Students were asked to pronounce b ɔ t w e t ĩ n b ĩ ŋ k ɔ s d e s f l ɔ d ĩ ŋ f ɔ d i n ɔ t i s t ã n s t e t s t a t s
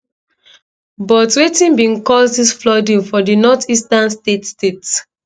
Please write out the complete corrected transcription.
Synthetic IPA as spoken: b ɔ t w e t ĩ n b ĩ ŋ k ɔ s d i s f l ɔ d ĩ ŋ f ɔ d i n ɔ t i s t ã n s t e t s t e t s